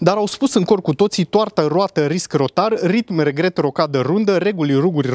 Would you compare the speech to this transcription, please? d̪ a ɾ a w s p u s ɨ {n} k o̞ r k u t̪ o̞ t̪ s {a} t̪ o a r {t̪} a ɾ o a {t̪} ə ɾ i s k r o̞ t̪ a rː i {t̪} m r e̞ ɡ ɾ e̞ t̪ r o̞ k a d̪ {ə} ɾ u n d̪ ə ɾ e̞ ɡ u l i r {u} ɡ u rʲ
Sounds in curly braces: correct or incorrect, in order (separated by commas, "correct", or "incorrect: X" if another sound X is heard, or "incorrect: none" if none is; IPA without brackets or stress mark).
incorrect: ŋ, incorrect: i, correct, correct, correct, correct, correct